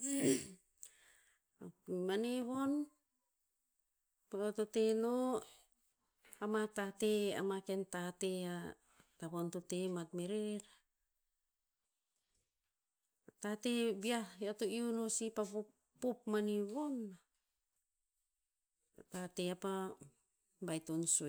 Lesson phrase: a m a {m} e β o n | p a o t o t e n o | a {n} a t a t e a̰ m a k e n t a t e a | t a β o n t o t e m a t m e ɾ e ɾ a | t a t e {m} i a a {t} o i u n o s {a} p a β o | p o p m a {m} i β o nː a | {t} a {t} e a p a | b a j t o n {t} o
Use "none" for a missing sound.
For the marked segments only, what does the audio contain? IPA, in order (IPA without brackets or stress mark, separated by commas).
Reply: n, m, b, t, i, n, t, t, s